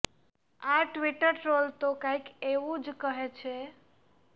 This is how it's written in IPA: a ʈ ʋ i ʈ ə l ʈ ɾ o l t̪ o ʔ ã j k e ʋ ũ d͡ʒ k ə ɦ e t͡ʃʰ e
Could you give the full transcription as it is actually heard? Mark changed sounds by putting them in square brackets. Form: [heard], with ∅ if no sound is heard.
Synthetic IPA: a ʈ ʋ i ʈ ə [ɾ] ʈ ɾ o l t̪ o [k] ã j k e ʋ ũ d͡ʒ k ə ɦ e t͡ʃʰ e